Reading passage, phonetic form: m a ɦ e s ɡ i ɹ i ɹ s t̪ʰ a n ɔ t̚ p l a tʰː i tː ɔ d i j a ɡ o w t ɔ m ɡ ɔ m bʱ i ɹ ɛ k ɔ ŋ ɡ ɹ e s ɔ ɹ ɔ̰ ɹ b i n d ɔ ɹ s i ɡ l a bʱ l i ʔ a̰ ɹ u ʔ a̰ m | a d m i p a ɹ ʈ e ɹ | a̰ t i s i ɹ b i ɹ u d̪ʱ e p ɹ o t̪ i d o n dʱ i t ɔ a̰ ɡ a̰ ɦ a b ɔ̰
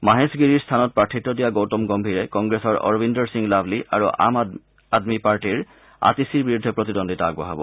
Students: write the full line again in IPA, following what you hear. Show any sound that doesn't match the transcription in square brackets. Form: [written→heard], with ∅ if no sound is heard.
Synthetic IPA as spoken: m a ɦ e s ɡ i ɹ i ɹ s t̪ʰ a n ɔ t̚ p [l→ɹ] a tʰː i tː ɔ d i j a ɡ o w t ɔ m ɡ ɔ m bʱ i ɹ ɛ k ɔ ŋ ɡ ɹ e s ɔ ɹ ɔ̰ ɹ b i n d ɔ ɹ s i [ɡ→ŋ] l a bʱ l i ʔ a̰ ɹ u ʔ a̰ m | a d m i p a ɹ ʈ [e→i] ɹ | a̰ t i s i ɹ b i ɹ u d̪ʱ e p ɹ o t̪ i d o n dʱ i t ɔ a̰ ɡ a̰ ɦ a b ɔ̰